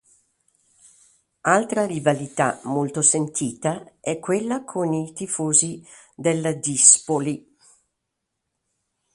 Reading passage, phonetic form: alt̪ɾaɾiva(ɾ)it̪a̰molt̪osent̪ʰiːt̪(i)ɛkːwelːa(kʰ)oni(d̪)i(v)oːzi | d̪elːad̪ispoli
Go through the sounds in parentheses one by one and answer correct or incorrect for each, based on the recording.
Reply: incorrect: l, incorrect: a, correct, incorrect: t̪, incorrect: f

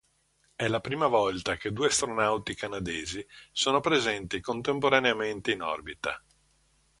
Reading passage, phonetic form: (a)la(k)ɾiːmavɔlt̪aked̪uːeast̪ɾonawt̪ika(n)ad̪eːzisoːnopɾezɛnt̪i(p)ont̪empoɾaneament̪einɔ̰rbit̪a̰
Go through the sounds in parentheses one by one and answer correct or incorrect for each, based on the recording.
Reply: incorrect: ɛ, incorrect: p, correct, incorrect: k

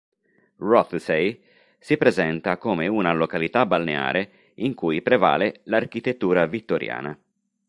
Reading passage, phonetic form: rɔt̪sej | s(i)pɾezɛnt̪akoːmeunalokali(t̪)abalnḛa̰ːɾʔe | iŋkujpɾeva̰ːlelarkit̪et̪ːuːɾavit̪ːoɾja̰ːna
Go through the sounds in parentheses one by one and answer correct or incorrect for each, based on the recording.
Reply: correct, correct

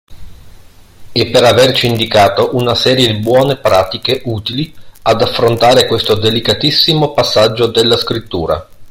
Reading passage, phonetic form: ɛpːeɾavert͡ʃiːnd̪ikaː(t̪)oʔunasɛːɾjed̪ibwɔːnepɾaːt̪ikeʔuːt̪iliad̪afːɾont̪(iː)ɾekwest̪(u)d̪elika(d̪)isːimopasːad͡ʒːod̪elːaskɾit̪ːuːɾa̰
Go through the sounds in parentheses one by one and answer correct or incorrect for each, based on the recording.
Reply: correct, incorrect: aː, incorrect: o, incorrect: t̪

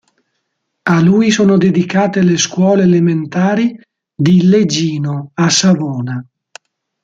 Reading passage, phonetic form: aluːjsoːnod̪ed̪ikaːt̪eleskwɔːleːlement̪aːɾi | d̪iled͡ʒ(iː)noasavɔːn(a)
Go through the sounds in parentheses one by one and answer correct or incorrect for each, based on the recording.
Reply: correct, correct

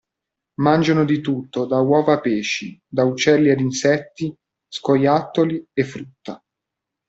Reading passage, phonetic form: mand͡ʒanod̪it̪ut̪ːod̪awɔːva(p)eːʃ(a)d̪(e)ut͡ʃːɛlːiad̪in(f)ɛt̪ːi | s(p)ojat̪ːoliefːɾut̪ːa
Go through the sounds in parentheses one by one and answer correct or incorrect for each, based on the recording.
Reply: correct, incorrect: i, incorrect: a, incorrect: s, incorrect: k

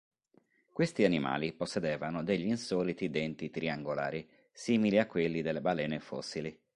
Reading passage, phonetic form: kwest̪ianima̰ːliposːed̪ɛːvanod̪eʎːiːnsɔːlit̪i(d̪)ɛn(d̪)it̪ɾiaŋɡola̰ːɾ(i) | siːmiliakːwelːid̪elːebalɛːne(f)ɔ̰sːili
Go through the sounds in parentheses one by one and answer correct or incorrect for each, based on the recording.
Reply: correct, incorrect: t̪, correct, correct

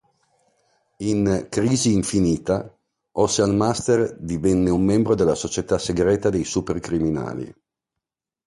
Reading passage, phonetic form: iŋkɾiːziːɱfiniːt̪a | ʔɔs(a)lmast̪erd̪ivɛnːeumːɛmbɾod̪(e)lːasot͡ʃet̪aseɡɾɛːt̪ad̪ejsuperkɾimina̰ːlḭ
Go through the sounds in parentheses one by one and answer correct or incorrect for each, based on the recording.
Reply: correct, correct

